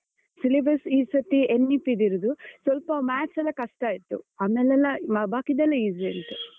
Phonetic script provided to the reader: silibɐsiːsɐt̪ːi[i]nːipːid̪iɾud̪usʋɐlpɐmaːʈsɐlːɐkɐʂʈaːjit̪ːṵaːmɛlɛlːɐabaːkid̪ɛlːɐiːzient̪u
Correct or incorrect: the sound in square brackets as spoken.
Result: incorrect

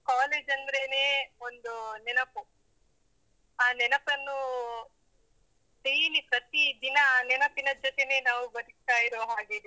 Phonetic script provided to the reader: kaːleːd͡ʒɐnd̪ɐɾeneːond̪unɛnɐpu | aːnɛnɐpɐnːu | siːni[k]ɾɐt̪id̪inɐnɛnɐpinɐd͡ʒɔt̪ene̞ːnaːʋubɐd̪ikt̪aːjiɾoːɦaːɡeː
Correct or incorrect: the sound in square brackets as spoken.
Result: incorrect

